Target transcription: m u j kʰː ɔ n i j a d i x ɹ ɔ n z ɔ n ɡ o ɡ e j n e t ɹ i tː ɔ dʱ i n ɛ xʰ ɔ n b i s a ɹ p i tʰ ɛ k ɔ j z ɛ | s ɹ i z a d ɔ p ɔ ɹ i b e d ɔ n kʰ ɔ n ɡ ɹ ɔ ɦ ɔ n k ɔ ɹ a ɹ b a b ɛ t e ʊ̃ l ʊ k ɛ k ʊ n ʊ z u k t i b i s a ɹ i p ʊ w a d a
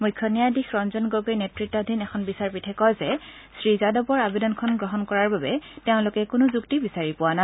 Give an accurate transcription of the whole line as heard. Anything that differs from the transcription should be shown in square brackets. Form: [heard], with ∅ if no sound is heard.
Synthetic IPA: m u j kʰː ɔ n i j a d i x ɹ ɔ n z ɔ n ɡ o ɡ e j n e t ɹ i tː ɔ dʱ i n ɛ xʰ ɔ n b i s a ɹ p i tʰ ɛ k ɔ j z ɛ | s ɹ i z a d ɔ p ɔ ɹ [a] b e d ɔ n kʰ ɔ n ɡ ɹ ɔ ɦ ɔ n k ɔ ɹ a ɹ b a b ɛ t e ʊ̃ l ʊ k ɛ k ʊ n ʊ z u k t i b i s a ɹ i p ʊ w a [n] a